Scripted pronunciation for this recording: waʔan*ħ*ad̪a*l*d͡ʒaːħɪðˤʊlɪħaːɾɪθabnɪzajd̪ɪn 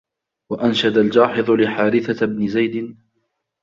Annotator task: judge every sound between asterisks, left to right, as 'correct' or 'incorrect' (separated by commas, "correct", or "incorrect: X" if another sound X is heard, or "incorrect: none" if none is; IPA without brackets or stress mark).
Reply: incorrect: ʃ, correct